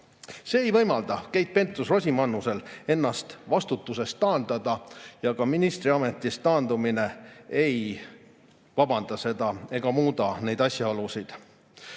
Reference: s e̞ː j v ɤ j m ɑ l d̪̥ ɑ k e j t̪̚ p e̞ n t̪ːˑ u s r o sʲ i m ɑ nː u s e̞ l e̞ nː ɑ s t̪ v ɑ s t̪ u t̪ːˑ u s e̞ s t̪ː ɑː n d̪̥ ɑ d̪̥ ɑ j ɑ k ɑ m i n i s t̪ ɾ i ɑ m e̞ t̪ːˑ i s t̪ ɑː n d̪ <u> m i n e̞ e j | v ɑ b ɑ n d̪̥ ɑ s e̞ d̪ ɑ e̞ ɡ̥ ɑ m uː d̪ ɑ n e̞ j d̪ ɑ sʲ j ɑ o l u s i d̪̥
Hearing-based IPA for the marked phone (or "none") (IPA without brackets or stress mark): u